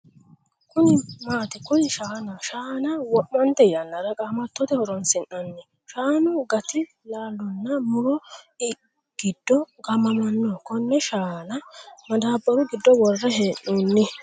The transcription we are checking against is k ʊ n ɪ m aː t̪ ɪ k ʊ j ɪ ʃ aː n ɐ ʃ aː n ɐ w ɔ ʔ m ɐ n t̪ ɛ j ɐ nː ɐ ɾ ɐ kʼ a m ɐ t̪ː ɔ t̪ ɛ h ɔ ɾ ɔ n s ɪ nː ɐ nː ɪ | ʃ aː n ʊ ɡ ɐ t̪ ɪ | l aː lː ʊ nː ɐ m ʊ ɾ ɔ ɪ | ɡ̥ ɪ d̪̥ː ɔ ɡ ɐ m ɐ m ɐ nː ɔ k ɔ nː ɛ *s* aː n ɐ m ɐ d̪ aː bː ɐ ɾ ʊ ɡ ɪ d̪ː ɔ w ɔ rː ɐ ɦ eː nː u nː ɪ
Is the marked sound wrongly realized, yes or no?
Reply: yes